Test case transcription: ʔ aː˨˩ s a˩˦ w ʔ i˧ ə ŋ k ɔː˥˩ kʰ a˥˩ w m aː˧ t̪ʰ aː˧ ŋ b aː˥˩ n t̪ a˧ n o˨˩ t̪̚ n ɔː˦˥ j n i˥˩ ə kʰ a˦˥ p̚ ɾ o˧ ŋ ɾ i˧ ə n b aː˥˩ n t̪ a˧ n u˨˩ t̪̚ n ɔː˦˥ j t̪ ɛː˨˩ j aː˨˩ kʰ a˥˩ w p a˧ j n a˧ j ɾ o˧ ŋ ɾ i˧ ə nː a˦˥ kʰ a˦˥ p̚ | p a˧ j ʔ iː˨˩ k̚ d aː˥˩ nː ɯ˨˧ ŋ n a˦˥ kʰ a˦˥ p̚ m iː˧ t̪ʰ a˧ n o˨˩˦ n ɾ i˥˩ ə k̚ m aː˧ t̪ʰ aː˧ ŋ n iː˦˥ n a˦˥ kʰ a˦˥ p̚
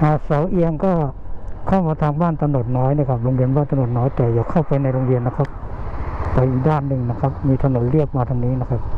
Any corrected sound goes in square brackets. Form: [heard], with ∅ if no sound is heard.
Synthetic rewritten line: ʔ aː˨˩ s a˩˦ w ʔ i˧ ə ŋ k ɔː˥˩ kʰ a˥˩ w m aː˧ t̪ʰ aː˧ ŋ b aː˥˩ n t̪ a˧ n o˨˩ t̪̚ n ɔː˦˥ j n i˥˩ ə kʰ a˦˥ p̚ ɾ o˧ ŋ ɾ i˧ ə n b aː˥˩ n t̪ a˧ n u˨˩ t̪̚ n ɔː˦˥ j t̪ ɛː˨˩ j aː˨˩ kʰ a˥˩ w p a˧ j n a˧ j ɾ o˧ ŋ ɾ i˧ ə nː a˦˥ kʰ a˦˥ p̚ | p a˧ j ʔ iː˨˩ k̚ d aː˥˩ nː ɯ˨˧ ŋ n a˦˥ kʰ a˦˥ p̚ m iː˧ t̪ʰ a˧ n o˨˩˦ n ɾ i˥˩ ə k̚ m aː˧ t̪ʰ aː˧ ŋ n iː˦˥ n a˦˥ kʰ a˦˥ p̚